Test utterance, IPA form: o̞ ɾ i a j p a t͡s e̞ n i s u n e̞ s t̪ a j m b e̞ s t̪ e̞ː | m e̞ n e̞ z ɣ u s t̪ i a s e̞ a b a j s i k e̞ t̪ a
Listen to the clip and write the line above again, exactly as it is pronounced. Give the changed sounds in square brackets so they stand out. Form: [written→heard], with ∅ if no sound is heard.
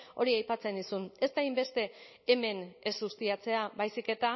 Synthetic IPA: o̞ ɾ i a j p a t͡s e̞ n i s u n e̞ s t̪ a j m b e̞ s t̪ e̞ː | m e̞ n e̞ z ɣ u s t̪ i a [s→t͡s] e̞ a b a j s i k e̞ t̪ a